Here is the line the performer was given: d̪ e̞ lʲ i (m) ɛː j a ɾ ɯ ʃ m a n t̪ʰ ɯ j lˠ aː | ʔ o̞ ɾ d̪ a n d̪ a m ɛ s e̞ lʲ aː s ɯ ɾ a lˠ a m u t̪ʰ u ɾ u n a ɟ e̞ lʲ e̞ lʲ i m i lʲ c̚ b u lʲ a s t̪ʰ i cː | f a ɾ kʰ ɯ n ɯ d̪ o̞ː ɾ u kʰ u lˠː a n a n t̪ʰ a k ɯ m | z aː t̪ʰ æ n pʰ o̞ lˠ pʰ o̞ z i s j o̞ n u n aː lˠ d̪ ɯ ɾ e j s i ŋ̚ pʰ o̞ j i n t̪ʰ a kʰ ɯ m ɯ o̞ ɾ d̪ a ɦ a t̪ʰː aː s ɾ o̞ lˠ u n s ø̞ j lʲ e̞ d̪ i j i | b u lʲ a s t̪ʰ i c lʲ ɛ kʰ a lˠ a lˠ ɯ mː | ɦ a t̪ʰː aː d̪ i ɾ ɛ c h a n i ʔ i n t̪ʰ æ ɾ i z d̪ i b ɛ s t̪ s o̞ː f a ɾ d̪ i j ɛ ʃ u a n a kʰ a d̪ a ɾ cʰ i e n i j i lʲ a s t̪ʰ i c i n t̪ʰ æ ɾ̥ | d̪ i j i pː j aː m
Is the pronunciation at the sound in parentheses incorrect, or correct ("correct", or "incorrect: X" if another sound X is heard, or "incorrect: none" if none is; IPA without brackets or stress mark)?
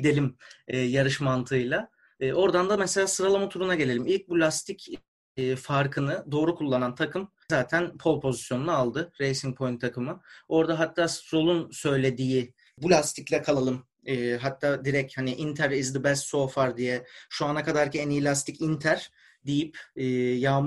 correct